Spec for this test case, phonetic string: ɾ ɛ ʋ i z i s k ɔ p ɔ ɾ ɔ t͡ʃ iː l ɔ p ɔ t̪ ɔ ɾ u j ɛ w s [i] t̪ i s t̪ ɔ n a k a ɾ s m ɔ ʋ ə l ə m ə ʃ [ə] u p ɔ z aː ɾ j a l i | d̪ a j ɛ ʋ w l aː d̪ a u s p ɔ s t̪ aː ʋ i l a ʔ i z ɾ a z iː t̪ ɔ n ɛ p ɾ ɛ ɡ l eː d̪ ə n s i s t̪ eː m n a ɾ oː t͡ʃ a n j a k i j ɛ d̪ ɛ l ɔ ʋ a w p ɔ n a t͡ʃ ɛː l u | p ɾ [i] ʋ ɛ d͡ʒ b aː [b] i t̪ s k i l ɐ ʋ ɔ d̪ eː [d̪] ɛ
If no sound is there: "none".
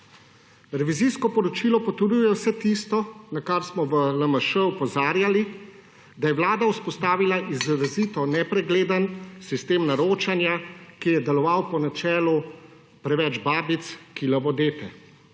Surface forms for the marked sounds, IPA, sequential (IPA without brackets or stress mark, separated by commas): ɛ, ə, ɛ, b, t̪